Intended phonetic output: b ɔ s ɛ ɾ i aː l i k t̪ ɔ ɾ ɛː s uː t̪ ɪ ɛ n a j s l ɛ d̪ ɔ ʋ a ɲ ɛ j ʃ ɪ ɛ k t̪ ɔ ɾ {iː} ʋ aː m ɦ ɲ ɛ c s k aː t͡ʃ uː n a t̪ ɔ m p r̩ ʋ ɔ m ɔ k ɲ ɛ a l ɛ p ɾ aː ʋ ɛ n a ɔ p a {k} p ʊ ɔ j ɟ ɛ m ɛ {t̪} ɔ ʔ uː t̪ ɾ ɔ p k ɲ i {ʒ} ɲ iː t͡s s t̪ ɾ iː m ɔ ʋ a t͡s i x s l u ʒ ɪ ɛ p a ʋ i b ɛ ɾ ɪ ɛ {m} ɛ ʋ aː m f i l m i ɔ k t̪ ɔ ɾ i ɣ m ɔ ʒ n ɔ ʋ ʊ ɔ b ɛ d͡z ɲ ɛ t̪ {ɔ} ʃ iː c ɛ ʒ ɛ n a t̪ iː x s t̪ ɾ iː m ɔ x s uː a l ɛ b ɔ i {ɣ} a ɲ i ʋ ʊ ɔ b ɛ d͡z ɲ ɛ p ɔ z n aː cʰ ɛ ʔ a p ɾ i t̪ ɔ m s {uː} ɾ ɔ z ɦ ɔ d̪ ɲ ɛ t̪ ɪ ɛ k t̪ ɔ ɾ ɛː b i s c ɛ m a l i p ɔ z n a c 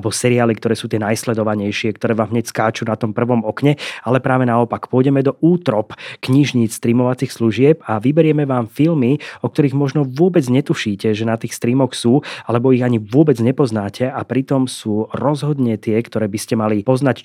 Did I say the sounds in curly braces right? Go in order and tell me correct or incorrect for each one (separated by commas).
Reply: incorrect, correct, incorrect, correct, correct, incorrect, correct, correct